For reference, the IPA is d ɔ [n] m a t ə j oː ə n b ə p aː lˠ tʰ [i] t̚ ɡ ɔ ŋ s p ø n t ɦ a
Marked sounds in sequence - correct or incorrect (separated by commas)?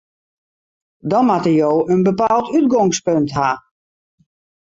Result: correct, incorrect